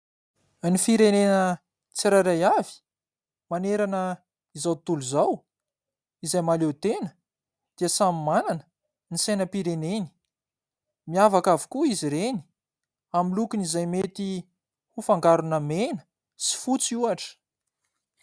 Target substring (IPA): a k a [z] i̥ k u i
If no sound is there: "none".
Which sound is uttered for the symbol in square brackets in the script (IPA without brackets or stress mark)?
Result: v